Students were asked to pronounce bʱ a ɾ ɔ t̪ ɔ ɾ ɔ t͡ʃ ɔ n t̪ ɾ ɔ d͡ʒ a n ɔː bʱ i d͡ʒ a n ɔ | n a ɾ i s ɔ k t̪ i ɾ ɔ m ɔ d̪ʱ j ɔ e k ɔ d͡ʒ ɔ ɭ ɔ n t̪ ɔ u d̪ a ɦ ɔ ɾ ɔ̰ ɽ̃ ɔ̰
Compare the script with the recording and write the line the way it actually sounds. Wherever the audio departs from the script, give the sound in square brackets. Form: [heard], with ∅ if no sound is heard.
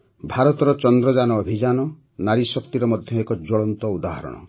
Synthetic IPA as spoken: bʱ a ɾ ɔ t̪ ɔ ɾ ɔ t͡ʃ ɔ n [d̪] ɾ ɔ d͡ʒ a n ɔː bʱ i d͡ʒ a n ɔ | n a ɾ i s ɔ k t̪ i ɾ ɔ m ɔ d̪ʱ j ɔ e k ɔ d͡ʒ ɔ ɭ ɔ n t̪ ɔ u d̪ a ɦ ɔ ɾ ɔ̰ ɽ̃ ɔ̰